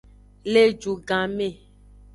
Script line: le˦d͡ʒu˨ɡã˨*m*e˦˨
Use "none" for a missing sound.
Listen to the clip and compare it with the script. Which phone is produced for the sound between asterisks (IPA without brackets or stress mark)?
m